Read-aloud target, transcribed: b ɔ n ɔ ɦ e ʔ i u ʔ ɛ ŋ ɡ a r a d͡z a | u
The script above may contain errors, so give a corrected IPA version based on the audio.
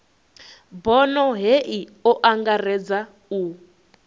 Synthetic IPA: b ɔ n ɔ ɦ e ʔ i ɔ ʔ a ŋ ɡ a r ɛ d͡z a | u